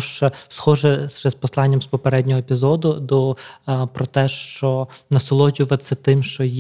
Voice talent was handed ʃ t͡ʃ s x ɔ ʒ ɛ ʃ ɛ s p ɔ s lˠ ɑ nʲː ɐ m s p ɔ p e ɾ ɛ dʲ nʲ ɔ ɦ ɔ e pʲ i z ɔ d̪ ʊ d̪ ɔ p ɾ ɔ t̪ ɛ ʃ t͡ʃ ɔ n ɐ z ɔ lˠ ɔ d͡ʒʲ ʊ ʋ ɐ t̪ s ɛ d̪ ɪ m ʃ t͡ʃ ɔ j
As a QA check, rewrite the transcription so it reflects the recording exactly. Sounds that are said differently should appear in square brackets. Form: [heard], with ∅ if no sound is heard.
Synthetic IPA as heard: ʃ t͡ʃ s x ɔ ʒ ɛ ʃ ɛ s p ɔ s lˠ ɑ nʲː ɐ m s p ɔ p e ɾ ɛ dʲ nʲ ɔ ɦ ɔ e pʲ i z ɔ d̪ ʊ d̪ ɔ p ɾ ɔ t̪ ɛ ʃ t͡ʃ ɔ n ɐ [s] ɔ lˠ ɔ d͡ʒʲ ʊ ʋ ɐ t̪ s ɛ [t̪] ɪ m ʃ t͡ʃ ɔ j